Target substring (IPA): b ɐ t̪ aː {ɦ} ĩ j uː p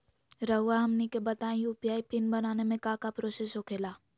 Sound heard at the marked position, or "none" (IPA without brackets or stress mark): none